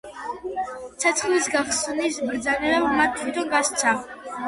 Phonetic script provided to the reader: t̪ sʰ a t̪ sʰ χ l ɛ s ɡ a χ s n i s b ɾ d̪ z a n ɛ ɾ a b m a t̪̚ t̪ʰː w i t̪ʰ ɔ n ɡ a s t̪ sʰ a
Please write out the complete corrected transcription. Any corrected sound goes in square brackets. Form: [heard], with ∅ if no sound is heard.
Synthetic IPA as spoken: t̪ sʰ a t̪ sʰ χ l [i] s ɡ a χ s n i s b ɾ d̪ z a n ɛ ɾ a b m a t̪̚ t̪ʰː w i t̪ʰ ɔ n ɡ a s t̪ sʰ a